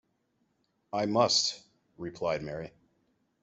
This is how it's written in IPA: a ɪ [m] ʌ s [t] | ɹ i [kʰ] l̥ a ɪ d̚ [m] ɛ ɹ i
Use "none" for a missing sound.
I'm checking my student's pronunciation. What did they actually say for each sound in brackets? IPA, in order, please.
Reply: m, t, pʰ, m

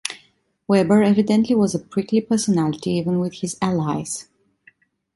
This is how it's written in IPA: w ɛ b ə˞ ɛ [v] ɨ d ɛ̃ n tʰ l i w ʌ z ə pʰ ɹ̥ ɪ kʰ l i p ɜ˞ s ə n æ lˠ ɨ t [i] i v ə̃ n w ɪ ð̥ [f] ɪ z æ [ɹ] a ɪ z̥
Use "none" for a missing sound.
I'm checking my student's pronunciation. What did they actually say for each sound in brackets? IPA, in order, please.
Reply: v, i, h, l

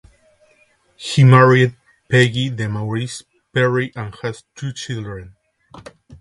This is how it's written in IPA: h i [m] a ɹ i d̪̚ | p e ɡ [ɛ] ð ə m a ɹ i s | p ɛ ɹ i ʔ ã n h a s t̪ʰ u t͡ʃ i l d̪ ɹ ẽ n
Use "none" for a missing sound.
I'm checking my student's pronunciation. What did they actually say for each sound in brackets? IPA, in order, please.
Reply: m, i

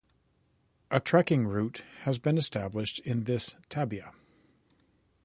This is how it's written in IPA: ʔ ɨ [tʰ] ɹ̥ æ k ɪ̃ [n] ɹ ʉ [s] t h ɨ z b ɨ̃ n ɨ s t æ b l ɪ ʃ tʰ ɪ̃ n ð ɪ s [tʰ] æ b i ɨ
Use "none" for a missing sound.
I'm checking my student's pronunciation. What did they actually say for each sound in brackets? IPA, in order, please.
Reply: tʰ, ŋ, none, tʰ

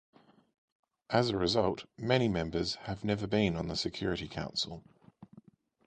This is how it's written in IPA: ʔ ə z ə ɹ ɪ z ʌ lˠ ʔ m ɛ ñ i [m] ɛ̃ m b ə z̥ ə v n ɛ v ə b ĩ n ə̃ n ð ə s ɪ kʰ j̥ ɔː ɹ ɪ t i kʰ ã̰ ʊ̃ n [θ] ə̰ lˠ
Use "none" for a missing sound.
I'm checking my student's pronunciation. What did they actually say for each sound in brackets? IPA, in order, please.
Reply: m, s

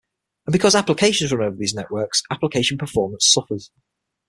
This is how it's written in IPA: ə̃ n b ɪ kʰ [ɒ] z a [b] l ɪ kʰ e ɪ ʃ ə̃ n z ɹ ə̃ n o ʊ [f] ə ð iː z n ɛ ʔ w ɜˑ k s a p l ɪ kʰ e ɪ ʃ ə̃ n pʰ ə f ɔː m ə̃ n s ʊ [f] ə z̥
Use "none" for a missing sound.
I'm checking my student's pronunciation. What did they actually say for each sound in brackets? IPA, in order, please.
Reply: ɒ, p, v, f

